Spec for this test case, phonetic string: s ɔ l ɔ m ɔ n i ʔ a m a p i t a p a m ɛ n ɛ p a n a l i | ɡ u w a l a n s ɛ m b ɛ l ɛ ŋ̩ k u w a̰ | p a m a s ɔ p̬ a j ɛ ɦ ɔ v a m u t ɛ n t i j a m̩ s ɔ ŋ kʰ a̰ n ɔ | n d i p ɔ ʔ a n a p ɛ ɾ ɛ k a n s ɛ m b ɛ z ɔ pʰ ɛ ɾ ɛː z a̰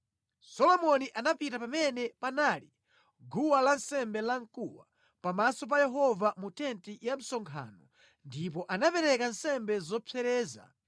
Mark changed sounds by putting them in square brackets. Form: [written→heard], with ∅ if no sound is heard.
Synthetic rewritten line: s ɔ l ɔ m ɔ n i ʔ a [m→n] a p i t a p a m ɛ n ɛ p a n a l i | ɡ u w a l a n s ɛ m b ɛ l [ɛ→a] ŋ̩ k u w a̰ | p a m a s ɔ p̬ a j ɛ ɦ ɔ v a m u t ɛ n t i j a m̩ s ɔ ŋ kʰ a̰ n ɔ | n d i p ɔ ʔ a n a p ɛ ɾ ɛ k a n s ɛ m b ɛ z ɔ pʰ ɛ ɾ ɛː z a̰